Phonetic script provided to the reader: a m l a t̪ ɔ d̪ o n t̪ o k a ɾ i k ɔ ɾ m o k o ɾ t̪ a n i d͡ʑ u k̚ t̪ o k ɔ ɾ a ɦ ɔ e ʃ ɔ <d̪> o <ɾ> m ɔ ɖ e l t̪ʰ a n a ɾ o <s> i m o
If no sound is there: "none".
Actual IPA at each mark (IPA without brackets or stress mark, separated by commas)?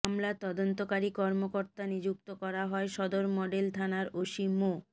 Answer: d̪, ɾ, ʃ